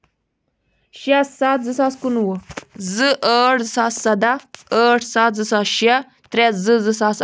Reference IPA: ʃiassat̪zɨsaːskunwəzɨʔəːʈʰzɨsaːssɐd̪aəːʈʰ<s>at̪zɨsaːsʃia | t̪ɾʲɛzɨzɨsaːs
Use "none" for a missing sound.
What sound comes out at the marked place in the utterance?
s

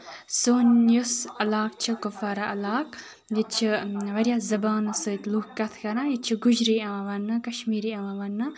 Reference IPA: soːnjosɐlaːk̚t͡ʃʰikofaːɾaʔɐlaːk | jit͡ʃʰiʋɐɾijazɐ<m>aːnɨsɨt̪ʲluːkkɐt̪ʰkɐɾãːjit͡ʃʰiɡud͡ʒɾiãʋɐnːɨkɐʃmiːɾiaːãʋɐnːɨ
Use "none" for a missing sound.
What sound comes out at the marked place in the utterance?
b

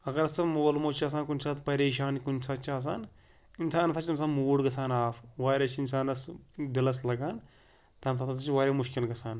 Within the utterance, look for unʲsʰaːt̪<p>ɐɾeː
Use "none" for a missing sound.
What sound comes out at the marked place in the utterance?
p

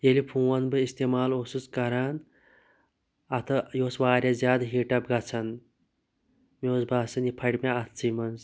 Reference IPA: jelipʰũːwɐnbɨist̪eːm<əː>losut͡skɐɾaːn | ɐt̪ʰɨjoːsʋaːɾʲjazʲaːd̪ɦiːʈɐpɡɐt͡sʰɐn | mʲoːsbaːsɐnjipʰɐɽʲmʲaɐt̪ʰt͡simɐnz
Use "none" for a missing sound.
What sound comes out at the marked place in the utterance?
aː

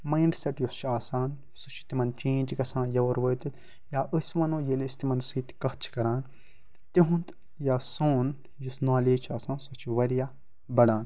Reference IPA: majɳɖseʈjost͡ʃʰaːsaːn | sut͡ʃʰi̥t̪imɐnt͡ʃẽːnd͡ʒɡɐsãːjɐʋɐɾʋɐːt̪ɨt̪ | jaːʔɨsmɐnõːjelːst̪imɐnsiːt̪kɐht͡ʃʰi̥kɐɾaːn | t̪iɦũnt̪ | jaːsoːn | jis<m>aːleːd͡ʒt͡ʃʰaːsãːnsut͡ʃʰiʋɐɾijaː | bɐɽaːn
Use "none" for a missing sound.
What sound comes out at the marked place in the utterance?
n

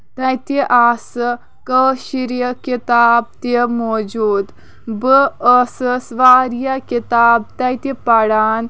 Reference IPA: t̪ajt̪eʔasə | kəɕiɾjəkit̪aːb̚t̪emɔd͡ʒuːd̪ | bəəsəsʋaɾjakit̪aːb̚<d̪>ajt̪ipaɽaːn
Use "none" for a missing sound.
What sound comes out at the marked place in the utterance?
t̪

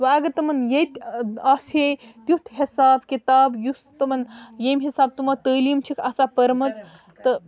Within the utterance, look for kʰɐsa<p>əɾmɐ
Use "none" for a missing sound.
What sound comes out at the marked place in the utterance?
p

